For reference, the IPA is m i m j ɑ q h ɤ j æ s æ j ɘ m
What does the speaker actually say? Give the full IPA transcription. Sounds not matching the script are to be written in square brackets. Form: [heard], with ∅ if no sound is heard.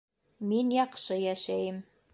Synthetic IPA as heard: m i [n] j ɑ q [ʃ] ɤ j æ [ʃ] æ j ɘ m